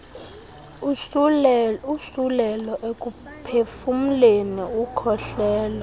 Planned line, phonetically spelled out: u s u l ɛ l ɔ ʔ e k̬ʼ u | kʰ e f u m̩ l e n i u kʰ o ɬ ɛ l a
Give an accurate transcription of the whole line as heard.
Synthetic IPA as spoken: u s u l ɛ l ɔ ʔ e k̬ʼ u | pʰ e f u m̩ l e n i u kʰ ɔ ɬ ɛː l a